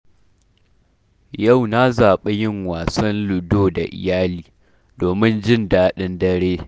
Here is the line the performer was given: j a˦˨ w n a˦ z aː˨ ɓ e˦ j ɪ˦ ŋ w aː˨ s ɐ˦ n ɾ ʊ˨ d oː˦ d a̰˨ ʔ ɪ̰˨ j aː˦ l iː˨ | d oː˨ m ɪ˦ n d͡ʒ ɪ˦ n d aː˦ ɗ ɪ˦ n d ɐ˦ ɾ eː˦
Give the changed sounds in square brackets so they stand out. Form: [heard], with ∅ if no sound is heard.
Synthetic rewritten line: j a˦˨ w n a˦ z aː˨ ɓ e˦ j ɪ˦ ŋ w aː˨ s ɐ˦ n [l] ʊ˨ d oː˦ d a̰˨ ʔ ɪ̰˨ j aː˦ l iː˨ | d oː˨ m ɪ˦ n d͡ʒ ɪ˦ n d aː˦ ɗ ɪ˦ n d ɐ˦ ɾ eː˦